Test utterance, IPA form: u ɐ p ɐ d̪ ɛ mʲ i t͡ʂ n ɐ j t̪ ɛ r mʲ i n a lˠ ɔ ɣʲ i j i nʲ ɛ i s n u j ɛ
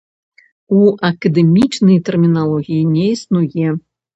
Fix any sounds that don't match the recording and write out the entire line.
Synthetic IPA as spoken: u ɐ k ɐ d̪ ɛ mʲ i t͡ʂ n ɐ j t̪ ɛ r mʲ i n a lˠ ɔ ɣʲ i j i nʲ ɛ i s n u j ɛ